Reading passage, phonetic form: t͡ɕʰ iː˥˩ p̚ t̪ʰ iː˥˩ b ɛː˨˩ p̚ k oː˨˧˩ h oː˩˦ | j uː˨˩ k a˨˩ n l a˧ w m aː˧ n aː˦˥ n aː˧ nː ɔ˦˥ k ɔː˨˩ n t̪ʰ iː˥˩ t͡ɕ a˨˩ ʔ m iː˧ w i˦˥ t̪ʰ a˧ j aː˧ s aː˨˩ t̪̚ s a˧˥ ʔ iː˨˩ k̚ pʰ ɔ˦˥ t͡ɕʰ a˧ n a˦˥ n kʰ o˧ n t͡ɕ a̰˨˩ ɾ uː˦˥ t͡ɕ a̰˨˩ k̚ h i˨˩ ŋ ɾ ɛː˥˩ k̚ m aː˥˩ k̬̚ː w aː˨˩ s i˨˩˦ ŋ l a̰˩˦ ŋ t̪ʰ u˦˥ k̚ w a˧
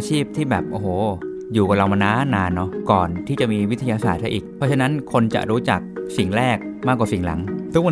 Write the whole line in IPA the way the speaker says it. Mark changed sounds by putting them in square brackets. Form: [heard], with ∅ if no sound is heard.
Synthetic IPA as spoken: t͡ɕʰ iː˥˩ p̚ t̪ʰ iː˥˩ b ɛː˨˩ p̚ [ʔ] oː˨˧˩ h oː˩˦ | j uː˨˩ k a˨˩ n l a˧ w m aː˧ n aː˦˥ n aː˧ nː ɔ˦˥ k ɔː˨˩ n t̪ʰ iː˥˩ t͡ɕ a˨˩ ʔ m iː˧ w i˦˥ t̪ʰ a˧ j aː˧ s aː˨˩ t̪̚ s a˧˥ ʔ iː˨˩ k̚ pʰ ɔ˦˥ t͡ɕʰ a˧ n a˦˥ n kʰ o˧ n t͡ɕ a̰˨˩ ɾ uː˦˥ t͡ɕ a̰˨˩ k̚ [s] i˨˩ ŋ ɾ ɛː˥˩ k̚ m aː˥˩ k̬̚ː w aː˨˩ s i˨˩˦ ŋ l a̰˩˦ ŋ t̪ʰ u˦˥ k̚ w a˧